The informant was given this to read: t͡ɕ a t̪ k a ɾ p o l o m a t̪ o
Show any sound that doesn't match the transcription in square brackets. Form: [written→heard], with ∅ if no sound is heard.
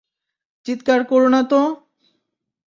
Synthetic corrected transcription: t͡ɕ [a→i] t̪ k a ɾ [p→k] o [l→ɾ] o [m→n] a t̪ o